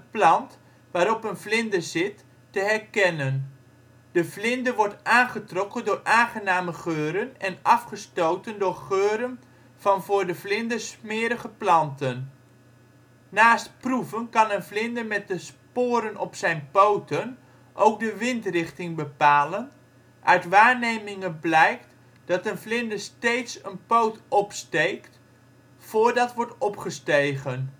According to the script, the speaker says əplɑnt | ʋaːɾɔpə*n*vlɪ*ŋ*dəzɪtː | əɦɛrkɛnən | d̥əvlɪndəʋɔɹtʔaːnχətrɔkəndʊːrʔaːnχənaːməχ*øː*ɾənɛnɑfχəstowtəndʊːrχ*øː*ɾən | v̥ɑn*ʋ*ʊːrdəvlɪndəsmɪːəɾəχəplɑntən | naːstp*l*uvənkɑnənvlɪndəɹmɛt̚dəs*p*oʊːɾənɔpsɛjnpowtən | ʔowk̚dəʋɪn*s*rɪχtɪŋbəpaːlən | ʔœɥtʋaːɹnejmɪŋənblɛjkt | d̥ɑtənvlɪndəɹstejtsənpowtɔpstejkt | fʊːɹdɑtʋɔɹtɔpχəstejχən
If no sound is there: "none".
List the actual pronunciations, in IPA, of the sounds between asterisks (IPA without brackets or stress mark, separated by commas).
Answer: n, n, øː, øː, v, r, p, t